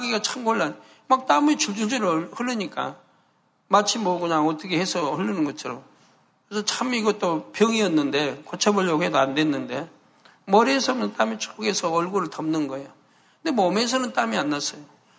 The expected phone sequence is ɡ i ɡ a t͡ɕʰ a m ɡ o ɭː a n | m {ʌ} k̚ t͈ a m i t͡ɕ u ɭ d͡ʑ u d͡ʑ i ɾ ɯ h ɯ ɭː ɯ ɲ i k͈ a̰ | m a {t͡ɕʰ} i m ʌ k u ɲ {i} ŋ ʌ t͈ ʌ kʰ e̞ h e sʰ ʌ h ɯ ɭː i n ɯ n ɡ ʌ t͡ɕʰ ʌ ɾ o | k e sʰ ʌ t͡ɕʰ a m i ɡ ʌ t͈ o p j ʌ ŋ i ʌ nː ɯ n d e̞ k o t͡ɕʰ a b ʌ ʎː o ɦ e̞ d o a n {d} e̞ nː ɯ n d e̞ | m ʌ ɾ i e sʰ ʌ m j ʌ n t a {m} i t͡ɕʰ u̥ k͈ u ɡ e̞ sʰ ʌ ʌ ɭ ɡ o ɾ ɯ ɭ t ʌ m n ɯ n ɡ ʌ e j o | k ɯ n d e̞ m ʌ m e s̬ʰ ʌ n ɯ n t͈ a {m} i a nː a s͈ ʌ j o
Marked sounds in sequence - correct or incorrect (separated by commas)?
incorrect, correct, incorrect, correct, correct, correct